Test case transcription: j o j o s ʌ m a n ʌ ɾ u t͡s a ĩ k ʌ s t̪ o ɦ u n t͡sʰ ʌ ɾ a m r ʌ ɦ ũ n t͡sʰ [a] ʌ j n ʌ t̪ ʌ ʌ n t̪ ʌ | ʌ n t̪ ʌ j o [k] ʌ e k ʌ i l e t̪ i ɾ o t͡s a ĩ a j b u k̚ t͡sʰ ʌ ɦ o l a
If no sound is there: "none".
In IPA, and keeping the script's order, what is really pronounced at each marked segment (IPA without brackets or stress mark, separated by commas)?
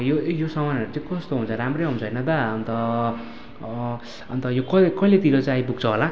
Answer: ʌ, k